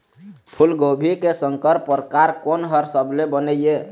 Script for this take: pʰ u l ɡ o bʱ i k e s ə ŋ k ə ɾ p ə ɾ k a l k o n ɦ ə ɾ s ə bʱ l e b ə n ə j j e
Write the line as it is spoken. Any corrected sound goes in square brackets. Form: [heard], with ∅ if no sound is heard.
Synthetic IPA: pʰ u l ɡ o bʱ i k e s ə ŋ k ə ɾ p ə ɾ k a [ɾ] k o n ɦ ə ɾ s ə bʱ l e b ə n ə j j e